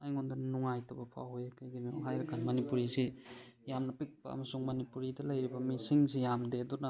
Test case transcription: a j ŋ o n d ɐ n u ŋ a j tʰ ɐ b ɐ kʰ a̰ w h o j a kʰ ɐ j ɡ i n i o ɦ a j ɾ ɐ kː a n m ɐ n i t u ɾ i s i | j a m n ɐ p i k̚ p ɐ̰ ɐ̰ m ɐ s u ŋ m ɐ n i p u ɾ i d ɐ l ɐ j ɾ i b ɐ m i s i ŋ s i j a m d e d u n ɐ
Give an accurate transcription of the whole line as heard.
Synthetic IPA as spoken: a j ŋ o n d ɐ n u ŋ a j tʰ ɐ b ɐ pʰ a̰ w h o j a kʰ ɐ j ɡ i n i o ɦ a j ɾ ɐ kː a n m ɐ n i p u ɾ i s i | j a m n ɐ p i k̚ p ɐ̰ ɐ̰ m ɐ s u ŋ m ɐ n i p u ɾ i d ɐ l ɐ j ɾ i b ɐ m i s i ŋ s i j a m d e d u n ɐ